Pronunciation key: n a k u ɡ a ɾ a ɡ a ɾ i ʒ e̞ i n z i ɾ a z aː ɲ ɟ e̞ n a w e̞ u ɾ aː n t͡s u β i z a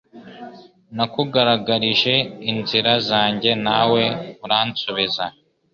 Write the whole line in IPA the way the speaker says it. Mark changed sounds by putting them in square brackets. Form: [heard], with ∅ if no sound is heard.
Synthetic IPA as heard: n a k u ɡ a ɾ a ɡ a ɾ i ʒ e̞ i n z i ɾ a z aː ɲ ɟ e̞ n a w e̞ u ɾ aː n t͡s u β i z a